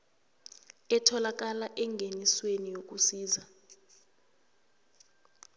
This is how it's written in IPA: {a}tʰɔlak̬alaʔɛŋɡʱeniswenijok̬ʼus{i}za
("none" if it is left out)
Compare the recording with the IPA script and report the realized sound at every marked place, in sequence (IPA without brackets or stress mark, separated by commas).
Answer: ɛ, iː